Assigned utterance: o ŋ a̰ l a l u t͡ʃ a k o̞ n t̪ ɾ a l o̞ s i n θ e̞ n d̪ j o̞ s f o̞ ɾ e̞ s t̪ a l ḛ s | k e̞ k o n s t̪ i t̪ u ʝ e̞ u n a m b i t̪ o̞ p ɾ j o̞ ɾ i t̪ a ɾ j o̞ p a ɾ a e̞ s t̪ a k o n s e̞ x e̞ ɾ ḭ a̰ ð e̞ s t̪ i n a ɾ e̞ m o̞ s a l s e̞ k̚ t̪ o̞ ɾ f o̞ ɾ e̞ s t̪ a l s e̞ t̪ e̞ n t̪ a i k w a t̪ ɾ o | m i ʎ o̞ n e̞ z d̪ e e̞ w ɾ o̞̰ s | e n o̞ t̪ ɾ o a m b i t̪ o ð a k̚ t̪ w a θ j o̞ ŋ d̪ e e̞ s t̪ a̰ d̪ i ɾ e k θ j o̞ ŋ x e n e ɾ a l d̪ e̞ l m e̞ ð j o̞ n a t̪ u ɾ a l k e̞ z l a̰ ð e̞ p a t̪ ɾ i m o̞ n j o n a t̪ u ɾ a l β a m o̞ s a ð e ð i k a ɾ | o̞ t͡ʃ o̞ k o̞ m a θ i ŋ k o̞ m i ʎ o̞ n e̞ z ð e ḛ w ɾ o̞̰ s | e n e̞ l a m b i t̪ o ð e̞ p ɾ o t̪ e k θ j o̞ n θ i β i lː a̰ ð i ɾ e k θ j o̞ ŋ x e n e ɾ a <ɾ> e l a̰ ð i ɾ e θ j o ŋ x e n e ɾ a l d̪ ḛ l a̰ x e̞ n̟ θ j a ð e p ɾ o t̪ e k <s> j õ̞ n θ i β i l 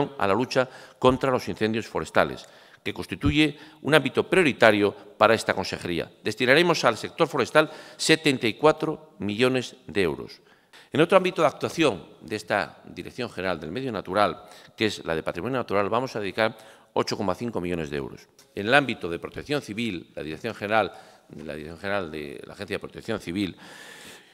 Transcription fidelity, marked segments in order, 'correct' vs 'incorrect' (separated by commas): incorrect, incorrect